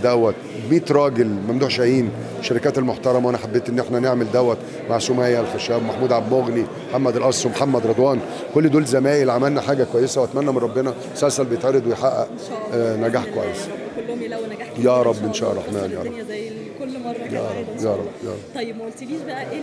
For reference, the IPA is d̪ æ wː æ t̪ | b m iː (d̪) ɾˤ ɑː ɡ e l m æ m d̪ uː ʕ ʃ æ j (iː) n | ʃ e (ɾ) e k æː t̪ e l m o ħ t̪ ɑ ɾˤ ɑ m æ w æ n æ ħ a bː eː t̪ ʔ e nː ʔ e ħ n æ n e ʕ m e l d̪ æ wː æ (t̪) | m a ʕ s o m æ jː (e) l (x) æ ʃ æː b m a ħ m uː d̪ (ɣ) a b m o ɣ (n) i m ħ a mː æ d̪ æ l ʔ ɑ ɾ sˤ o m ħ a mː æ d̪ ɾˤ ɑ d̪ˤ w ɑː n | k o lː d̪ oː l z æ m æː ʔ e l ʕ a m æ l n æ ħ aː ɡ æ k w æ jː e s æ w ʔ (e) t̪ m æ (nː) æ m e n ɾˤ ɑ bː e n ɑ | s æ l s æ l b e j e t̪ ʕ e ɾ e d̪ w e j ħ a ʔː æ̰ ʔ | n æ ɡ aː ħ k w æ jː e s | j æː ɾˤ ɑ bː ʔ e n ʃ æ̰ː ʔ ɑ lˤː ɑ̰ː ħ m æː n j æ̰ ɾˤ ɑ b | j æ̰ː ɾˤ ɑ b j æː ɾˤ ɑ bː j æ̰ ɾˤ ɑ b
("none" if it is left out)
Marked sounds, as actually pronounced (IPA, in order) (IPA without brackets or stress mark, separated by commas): t̪, iː, ɾ, t̪, æ, x, ʕ, n, æ, nː